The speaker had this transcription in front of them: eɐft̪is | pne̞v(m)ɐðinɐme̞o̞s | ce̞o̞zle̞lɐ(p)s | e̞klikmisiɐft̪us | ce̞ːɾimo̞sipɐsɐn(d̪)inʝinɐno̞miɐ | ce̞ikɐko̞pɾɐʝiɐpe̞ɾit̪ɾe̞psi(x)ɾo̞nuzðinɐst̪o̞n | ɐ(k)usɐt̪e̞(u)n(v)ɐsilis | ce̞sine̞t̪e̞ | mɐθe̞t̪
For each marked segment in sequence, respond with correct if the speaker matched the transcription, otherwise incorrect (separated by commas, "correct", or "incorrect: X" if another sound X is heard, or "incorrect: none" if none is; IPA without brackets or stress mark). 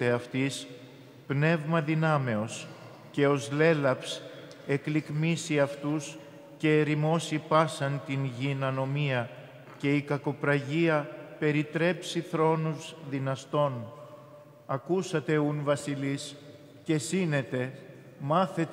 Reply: correct, correct, incorrect: t̪, incorrect: θ, correct, correct, correct